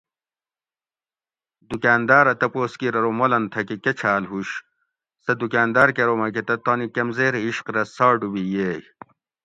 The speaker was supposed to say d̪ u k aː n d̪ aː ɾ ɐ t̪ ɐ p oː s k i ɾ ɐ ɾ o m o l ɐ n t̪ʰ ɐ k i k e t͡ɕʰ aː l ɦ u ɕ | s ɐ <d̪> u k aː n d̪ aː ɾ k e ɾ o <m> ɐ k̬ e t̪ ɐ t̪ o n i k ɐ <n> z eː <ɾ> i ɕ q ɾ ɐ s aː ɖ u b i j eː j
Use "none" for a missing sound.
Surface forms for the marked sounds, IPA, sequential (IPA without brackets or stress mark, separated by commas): d̪, m, m, ɾ